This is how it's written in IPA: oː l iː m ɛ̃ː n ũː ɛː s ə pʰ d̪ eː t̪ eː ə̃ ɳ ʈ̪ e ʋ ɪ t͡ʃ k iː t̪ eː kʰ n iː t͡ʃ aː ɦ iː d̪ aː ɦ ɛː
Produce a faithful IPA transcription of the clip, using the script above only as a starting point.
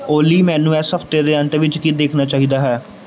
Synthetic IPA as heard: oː l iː m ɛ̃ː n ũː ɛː s ə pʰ t̪ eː d̪ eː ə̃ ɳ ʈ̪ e ʋ ɪ t͡ʃ k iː d̪ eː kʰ n aː t͡ʃ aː ɦ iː d̪ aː ɦ ɛː